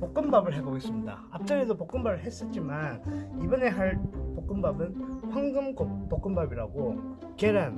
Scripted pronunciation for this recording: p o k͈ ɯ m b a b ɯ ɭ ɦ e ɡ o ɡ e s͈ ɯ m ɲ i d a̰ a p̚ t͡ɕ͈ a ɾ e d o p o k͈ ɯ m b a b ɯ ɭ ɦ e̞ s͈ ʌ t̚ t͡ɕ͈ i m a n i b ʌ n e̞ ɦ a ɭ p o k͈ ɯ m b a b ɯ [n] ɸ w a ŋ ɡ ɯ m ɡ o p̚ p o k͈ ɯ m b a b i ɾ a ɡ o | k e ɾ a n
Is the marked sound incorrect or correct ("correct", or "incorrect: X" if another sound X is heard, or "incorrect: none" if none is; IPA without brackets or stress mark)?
correct